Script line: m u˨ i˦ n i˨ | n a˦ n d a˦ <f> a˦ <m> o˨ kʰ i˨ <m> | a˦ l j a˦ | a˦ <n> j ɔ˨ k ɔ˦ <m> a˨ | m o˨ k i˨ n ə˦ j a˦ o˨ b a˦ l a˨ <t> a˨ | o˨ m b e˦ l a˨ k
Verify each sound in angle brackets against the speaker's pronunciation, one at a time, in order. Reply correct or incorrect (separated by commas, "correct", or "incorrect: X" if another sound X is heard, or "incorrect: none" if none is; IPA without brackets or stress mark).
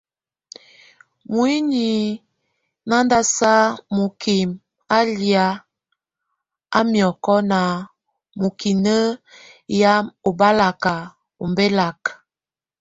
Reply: incorrect: s, correct, correct, incorrect: m, incorrect: n, incorrect: k